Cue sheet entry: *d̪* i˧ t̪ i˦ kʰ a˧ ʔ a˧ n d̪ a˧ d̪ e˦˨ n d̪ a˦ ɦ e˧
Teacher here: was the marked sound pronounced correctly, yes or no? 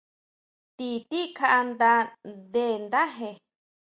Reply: no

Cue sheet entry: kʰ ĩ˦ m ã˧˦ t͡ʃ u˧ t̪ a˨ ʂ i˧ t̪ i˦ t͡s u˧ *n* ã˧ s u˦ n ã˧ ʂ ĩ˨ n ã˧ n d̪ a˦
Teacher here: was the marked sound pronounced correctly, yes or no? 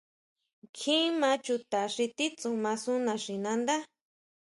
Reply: no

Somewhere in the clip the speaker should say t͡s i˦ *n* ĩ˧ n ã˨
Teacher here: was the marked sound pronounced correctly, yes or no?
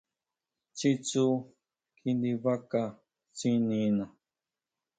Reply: yes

